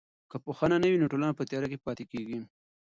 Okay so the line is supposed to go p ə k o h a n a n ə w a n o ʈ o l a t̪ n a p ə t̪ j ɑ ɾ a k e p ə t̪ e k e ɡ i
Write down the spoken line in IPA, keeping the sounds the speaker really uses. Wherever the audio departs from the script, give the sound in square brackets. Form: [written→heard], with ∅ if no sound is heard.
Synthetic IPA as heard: [p→k] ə [k→p] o [h→x] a n a n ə w [a→i] n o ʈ o l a [t̪→∅] n a p ə t̪ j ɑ ɾ a k e p [ə→ɑ] t̪ e k e ɡ i